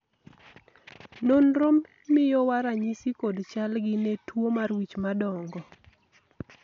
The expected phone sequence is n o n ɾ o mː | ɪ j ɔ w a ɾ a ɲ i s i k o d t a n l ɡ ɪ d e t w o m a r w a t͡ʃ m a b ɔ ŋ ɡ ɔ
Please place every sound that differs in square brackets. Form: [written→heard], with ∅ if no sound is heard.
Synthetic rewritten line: n o n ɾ o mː | ɪ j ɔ w a ɾ a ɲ i s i k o d [t→t͡ʃ] a [n→∅] l ɡ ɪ [d→n] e t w o m a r w [a→i] t͡ʃ m a [b→d] ɔ ŋ ɡ ɔ

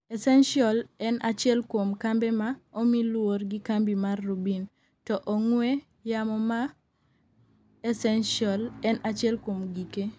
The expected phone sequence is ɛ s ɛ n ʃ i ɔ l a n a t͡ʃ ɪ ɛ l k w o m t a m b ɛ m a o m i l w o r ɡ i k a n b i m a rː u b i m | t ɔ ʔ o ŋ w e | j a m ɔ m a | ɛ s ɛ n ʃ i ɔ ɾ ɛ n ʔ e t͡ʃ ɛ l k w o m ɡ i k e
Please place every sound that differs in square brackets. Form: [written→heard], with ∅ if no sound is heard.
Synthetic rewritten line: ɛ s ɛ n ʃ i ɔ l [a→ɛ] n a t͡ʃ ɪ ɛ l k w o m [t→k] a m b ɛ m a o m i l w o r ɡ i k a [n→m] b i m a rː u b i [m→n] | t ɔ ʔ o ŋ w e | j a m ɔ m a | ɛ s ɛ n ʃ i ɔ [ɾ→l] ɛ n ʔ [e→a] t͡ʃ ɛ l k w o m ɡ i k e

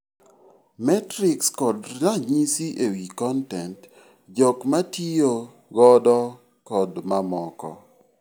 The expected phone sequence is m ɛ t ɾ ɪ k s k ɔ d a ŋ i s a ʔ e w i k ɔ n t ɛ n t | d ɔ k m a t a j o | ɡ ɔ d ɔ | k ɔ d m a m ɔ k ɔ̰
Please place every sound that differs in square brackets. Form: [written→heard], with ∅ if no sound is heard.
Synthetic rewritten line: m ɛ t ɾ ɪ k s k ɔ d a [ŋ→ɲ] i s [a→i] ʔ e w i k ɔ n t ɛ n t | [d→d͡ʒ] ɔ k m a t [a→i] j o | ɡ ɔ d ɔ | k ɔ d m a m ɔ k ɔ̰

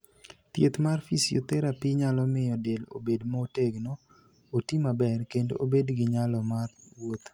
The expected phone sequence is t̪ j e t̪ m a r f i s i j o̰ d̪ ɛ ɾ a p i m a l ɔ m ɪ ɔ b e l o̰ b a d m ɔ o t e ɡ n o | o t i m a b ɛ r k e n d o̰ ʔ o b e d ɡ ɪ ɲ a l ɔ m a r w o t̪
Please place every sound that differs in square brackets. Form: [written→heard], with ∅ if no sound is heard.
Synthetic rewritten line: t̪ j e t̪ m a r f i s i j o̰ [d̪→t̪] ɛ ɾ a p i [m→ɲ] a l ɔ m ɪ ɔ [b→d] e l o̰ b [a→e] d m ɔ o t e ɡ n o | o t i m a b ɛ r k e n d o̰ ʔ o b e d ɡ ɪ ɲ a l ɔ m a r w o t̪

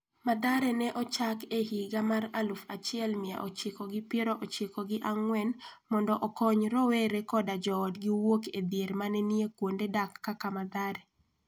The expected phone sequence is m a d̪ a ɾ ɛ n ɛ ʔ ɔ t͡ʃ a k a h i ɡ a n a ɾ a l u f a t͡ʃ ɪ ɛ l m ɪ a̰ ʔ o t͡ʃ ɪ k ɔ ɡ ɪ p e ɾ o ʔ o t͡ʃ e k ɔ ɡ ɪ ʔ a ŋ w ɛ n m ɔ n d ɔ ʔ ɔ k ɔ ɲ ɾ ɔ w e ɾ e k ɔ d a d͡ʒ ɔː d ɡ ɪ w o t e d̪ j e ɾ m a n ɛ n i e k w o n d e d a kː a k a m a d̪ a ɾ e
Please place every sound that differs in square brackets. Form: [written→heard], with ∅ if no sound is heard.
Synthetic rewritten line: m a d̪ a ɾ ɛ n ɛ ʔ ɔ t͡ʃ a k [a→e] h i ɡ a [n→m] a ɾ a l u f a t͡ʃ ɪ ɛ l m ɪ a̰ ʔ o t͡ʃ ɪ k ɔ ɡ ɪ p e ɾ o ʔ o t͡ʃ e k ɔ ɡ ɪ ʔ a ŋ w ɛ n m ɔ n d ɔ ʔ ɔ k ɔ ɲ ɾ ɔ w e ɾ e k ɔ d a d͡ʒ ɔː d ɡ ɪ w o [t→k] e d̪ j e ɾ m a n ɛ n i e k w o n d e d a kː a k a m a d̪ a ɾ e

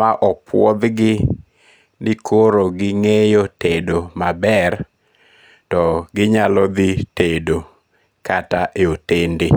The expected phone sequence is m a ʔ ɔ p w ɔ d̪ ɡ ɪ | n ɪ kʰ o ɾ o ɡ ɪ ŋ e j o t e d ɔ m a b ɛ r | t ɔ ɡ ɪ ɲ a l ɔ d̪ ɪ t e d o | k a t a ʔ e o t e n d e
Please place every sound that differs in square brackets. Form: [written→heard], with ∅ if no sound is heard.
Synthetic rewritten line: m a ʔ ɔ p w ɔ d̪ ɡ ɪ | n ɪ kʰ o ɾ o ɡ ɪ ŋ e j o t e d [ɔ→o] m a b ɛ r | t ɔ ɡ ɪ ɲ a l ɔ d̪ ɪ t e d o | k a t a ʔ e o t e n d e

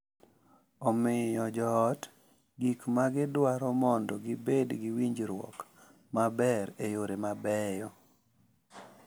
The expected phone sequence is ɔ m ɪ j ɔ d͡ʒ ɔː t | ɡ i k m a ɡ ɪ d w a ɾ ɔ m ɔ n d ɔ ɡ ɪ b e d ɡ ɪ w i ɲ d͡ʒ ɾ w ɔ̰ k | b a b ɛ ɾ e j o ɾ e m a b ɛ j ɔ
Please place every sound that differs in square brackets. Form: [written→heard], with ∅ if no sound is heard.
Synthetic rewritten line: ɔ m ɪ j ɔ d͡ʒ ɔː t | ɡ i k m a ɡ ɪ d w a ɾ ɔ m ɔ n d ɔ ɡ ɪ b e d ɡ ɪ w i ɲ d͡ʒ ɾ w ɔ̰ k | [b→m] a b ɛ ɾ e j o ɾ e m a b ɛ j ɔ

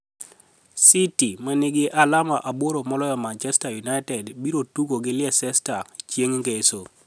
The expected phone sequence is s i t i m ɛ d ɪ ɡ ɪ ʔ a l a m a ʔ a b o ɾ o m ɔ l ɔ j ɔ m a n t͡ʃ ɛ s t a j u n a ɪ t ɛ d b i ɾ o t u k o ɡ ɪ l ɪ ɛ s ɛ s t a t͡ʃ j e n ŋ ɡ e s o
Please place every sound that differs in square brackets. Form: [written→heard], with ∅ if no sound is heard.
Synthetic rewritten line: s i t i m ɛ [d→n] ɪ ɡ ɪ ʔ a l a m a ʔ a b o ɾ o m ɔ l ɔ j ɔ m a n t͡ʃ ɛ s t a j u n a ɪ t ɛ d b i ɾ o t u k o ɡ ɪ l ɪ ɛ s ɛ s t a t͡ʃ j e [n→ŋ] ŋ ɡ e s o

